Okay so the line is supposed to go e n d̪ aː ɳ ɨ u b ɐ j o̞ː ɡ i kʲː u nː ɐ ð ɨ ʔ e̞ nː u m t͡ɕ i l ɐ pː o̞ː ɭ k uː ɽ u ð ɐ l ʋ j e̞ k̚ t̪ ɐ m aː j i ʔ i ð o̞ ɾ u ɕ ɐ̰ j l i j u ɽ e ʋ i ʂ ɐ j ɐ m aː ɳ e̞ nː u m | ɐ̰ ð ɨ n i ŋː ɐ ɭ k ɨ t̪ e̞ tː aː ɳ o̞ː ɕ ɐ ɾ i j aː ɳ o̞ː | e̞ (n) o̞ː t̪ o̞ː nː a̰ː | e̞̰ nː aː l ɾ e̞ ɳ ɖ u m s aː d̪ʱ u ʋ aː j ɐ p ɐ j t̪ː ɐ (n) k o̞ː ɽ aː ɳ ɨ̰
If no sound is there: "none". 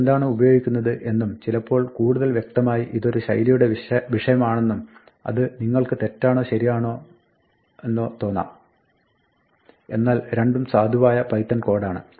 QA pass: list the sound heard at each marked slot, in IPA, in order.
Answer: nː, n

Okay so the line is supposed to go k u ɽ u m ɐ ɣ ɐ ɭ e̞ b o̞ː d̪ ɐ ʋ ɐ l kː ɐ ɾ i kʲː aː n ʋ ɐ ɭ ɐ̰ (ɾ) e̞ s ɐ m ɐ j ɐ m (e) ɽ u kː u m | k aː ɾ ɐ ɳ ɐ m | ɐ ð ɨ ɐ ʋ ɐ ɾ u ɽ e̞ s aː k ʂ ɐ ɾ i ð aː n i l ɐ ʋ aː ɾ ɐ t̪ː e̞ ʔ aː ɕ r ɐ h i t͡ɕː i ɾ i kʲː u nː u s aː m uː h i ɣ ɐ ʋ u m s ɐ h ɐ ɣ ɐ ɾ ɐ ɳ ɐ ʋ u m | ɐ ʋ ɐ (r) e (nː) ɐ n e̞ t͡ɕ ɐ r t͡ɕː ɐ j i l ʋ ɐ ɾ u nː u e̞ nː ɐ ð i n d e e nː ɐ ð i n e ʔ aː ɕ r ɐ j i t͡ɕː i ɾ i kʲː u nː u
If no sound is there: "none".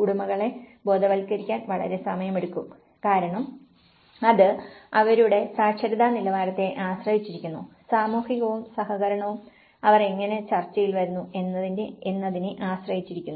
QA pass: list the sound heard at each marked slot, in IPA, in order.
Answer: ɾ, e, r, ŋː

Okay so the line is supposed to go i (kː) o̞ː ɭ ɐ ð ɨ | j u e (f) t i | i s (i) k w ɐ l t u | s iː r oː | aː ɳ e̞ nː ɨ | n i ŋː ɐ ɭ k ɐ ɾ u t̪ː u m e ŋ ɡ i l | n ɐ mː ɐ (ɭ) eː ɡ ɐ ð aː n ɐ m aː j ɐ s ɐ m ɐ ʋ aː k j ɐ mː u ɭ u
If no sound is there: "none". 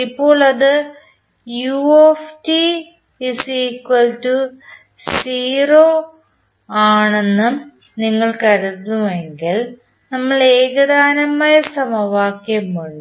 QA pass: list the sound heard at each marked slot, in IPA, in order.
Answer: pː, f, iː, ɭ

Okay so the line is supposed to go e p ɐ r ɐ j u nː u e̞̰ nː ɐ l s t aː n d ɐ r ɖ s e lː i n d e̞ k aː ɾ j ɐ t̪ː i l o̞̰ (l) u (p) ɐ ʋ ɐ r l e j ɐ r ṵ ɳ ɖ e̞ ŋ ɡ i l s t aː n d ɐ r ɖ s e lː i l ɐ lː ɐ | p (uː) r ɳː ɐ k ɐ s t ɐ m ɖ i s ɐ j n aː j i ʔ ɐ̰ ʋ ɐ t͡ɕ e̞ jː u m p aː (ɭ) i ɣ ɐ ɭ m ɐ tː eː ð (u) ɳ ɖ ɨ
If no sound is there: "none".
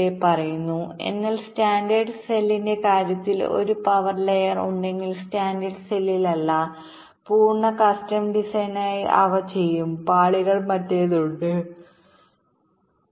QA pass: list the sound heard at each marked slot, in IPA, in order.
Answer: ɾ, p, uː, ɭ, u

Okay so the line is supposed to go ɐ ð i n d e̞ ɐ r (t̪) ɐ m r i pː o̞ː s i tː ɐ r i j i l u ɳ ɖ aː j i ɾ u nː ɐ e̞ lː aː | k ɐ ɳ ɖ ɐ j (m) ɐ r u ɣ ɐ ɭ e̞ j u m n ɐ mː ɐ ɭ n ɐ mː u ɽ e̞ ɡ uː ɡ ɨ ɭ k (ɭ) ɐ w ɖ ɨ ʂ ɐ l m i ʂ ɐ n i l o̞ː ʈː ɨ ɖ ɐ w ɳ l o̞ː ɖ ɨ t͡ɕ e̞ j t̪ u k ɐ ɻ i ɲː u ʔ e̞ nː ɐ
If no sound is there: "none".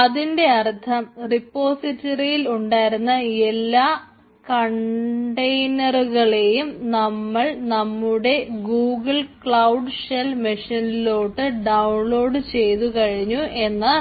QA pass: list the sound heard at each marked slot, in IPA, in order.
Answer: t̪ʰ, n, ɭ

